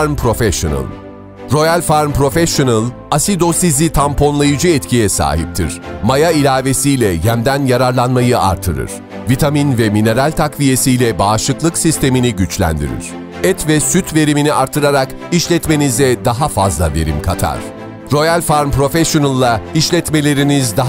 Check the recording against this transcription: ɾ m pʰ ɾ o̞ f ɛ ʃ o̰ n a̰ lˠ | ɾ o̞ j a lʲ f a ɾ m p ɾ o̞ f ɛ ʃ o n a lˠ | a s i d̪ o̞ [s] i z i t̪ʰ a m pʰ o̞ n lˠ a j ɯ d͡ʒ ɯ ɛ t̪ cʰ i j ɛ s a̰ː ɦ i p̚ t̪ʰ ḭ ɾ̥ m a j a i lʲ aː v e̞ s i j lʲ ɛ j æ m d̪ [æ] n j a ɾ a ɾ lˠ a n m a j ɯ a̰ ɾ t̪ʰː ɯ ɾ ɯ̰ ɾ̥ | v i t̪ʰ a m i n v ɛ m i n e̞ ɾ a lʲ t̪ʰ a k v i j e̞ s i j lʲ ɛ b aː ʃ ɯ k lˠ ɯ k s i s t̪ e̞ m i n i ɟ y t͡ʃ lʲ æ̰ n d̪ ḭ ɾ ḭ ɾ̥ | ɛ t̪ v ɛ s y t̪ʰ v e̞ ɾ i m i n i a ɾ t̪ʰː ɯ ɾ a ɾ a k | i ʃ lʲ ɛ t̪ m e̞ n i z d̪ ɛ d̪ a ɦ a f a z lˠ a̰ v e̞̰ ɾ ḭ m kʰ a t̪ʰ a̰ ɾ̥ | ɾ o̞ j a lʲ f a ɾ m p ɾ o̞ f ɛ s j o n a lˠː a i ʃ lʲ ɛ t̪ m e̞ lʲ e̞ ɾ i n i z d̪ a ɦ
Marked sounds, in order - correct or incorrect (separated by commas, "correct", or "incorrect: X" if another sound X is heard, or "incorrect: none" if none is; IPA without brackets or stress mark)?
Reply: correct, correct